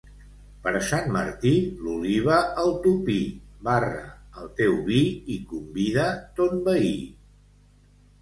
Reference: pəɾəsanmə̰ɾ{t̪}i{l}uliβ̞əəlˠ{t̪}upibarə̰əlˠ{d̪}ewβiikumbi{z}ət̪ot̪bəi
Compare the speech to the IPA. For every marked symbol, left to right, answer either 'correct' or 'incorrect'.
correct, correct, correct, incorrect, incorrect

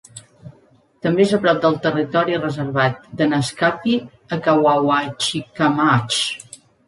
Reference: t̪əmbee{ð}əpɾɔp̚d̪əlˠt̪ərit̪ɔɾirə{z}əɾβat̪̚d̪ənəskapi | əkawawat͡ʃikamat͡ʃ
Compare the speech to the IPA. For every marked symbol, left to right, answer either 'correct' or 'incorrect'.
incorrect, correct

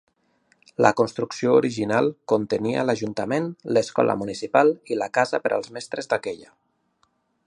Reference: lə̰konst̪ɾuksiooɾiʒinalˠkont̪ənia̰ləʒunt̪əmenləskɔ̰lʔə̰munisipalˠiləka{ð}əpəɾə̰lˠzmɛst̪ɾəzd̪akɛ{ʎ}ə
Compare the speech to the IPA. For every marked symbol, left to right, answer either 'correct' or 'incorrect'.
incorrect, correct

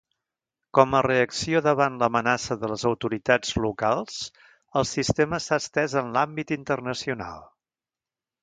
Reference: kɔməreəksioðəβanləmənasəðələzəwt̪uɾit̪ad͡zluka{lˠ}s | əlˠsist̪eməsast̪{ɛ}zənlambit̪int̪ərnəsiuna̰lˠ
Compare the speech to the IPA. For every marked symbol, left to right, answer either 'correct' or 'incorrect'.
correct, correct

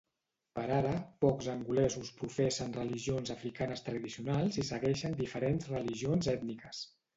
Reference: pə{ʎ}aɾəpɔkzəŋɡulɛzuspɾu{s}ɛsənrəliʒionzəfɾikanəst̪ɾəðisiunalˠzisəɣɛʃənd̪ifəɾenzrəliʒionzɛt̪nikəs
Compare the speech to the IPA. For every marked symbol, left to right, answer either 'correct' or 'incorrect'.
incorrect, incorrect

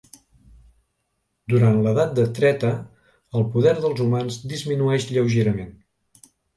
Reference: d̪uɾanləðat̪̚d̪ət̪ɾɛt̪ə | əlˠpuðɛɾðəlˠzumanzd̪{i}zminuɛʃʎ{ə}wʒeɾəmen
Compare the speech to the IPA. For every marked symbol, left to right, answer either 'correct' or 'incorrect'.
correct, correct

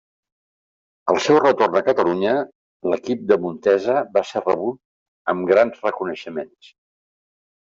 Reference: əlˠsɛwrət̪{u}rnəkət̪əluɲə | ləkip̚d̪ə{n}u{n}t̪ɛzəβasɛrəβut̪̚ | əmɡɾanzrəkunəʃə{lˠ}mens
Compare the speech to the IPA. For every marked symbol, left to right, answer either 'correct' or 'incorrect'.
incorrect, incorrect, correct, incorrect

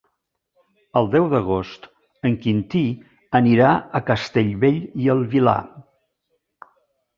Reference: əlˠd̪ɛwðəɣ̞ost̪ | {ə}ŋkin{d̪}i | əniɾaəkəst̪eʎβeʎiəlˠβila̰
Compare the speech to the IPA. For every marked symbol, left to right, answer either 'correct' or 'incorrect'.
correct, incorrect

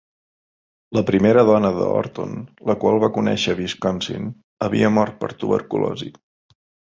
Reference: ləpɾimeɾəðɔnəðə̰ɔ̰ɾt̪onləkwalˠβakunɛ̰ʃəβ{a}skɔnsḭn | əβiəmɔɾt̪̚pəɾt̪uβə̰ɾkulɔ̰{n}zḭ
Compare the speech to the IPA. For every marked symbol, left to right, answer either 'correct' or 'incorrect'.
incorrect, incorrect

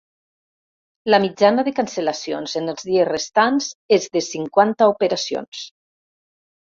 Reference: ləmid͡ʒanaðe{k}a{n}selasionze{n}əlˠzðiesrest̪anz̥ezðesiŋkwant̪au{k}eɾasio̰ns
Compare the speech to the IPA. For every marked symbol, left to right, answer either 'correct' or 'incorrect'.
correct, correct, correct, incorrect

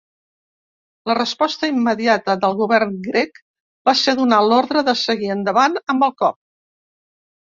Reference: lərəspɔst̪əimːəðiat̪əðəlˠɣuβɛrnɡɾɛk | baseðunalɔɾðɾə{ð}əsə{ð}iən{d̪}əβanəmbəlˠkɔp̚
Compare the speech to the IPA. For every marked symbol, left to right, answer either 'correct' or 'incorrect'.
correct, incorrect, correct

